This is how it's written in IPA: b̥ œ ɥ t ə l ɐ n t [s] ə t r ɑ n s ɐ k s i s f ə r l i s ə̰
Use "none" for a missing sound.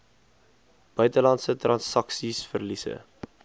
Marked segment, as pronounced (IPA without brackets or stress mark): s